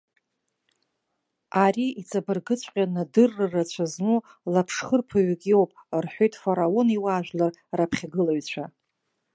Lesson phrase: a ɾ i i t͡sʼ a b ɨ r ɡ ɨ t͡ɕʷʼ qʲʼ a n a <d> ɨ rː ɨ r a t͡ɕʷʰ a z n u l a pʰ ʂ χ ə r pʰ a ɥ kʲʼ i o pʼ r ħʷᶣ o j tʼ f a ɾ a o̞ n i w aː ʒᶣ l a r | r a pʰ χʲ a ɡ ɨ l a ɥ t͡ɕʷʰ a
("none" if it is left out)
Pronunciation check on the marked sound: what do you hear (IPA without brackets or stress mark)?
d